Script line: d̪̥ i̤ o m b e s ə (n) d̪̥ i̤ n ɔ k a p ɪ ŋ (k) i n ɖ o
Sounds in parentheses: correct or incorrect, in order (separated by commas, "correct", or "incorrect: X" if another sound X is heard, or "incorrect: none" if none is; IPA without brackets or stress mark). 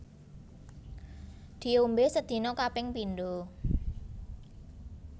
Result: incorrect: none, incorrect: p